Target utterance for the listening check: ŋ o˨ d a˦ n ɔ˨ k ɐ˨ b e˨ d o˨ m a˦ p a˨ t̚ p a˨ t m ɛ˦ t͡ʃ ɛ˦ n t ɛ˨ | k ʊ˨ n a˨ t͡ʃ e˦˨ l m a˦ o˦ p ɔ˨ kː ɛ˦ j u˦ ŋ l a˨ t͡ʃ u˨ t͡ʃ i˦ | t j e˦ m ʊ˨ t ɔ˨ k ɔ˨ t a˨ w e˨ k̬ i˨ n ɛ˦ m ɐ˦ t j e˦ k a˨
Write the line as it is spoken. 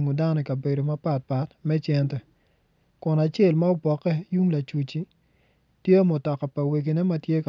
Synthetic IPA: ŋ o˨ d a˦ n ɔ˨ k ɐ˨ b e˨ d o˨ m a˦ p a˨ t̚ p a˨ t m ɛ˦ t͡ʃ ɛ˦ n t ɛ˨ | k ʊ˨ n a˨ t͡ʃ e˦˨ l m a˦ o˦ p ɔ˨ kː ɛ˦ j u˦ ŋ l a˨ t͡ʃ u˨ t͡ʃ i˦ | t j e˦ m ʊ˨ t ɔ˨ k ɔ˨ p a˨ w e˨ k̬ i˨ n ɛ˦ m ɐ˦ t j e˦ k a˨

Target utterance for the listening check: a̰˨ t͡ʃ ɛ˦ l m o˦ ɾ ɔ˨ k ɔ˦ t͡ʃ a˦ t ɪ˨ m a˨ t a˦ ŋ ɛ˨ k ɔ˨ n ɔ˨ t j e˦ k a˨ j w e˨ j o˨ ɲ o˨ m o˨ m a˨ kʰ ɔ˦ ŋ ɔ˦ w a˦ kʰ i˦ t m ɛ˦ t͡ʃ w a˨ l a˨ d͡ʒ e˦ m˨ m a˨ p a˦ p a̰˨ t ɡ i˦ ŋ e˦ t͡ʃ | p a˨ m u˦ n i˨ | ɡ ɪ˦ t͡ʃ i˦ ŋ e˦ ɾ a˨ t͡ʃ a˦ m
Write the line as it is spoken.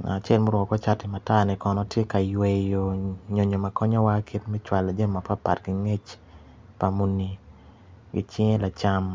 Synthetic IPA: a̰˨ t͡ʃ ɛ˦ l m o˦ ɾ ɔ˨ k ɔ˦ t͡ʃ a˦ t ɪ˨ m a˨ t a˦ n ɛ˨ k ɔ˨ n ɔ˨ t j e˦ k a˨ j w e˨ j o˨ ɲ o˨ ɲ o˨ m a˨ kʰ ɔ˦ ɲ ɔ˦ w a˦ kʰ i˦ t m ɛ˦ t͡ʃ w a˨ l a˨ d͡ʒ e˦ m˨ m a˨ p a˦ p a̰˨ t ɡ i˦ ŋ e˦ t͡ʃ | p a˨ m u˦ n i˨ | ɡ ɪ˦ t͡ʃ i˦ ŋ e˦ l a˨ t͡ʃ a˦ m

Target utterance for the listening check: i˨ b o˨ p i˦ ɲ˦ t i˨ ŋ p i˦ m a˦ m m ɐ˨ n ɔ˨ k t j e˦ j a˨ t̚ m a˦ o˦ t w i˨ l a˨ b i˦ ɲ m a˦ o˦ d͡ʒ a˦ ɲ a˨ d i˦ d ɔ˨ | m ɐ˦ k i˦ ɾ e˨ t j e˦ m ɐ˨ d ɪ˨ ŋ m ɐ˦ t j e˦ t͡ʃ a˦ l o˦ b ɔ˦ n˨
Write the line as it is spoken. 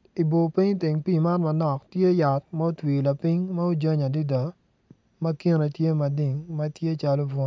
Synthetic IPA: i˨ b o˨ p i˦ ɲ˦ t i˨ ŋ p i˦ m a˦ n m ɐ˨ n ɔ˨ k t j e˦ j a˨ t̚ m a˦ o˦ t w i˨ l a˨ p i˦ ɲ m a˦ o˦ d͡ʒ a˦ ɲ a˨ d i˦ d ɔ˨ | m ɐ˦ k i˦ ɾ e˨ t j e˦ m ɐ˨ d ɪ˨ ŋ m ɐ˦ t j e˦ t͡ʃ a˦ l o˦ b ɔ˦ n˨

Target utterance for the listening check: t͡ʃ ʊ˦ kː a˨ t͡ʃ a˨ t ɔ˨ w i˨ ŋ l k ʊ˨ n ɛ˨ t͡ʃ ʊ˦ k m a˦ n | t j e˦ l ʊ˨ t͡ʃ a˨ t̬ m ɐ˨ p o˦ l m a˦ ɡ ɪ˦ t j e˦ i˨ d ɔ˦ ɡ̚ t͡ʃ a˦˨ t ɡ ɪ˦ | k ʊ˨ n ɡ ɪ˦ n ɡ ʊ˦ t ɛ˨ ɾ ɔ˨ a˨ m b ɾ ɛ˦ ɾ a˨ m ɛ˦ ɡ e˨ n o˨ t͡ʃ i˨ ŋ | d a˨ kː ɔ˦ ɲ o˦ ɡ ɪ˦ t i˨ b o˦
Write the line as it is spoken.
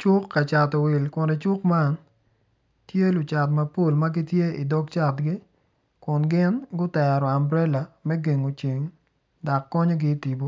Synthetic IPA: t͡ʃ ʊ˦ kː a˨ t͡ʃ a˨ t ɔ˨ w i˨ l k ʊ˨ n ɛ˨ t͡ʃ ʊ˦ k m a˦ n | t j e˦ l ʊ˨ t͡ʃ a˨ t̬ m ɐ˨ p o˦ l m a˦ ɡ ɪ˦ t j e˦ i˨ d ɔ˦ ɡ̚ t͡ʃ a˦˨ t ɡ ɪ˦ | k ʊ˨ n ɡ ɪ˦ n ɡ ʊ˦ t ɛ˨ ɾ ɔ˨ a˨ m b ɾ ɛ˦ l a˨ m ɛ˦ ɡ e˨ ŋ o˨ t͡ʃ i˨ ŋ | d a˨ kː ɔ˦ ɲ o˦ ɡ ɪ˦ t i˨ b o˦

